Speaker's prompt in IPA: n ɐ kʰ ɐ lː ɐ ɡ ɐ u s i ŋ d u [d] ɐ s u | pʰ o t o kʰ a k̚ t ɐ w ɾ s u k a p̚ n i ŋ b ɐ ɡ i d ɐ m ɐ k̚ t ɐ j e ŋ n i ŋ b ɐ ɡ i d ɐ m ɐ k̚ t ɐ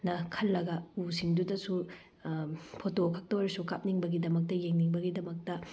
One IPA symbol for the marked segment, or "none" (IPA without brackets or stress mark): d